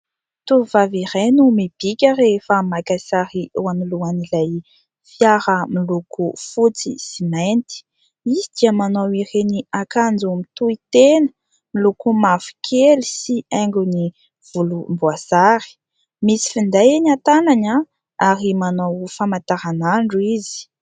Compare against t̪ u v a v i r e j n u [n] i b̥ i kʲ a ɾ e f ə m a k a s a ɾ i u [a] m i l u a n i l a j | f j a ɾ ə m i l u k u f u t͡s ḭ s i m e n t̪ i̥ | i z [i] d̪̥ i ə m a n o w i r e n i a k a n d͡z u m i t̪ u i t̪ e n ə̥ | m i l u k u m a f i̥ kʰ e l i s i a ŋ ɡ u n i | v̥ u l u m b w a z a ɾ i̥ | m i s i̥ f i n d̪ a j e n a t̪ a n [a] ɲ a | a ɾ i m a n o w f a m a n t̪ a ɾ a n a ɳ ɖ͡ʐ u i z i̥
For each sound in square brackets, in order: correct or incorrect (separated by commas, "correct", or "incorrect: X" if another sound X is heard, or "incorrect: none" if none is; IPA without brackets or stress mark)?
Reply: incorrect: m, correct, correct, correct